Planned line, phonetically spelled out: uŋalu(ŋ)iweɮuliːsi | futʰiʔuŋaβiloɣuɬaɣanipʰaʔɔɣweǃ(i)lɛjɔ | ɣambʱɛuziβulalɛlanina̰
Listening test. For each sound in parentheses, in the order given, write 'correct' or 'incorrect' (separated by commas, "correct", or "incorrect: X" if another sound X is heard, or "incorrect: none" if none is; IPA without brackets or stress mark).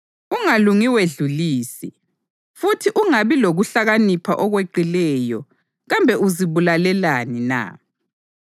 correct, correct